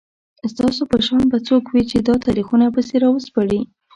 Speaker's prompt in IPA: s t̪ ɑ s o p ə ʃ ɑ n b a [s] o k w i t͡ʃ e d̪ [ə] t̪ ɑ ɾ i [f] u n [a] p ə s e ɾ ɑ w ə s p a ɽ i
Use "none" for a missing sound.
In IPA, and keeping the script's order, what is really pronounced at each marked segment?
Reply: t͡s, ɑ, x, a

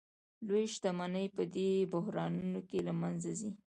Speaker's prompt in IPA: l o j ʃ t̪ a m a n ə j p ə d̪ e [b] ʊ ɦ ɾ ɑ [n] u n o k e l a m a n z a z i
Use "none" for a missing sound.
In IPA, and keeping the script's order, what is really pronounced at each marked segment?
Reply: b, n

